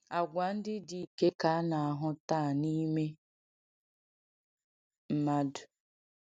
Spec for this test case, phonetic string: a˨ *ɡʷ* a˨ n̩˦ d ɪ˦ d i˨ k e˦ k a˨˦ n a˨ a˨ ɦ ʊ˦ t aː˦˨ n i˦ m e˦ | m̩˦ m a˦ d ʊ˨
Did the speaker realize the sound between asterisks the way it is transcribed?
yes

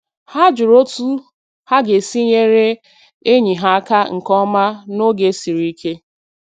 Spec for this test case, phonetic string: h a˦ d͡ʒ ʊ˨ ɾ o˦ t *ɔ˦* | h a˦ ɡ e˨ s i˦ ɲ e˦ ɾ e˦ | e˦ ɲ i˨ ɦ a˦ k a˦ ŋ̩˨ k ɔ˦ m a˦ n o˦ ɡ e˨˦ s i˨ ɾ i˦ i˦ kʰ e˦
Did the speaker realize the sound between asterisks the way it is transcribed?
no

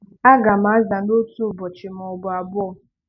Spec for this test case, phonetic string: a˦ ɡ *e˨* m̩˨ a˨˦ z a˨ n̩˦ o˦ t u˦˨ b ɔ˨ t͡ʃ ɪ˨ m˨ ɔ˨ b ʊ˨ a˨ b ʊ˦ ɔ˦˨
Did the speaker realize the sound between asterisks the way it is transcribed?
no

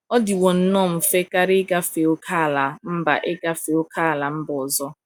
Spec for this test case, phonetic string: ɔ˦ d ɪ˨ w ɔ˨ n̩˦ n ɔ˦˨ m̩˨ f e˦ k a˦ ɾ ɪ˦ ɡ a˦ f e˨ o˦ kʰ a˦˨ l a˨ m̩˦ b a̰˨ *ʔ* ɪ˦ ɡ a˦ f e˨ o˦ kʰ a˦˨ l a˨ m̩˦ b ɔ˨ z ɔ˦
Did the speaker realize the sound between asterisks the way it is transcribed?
yes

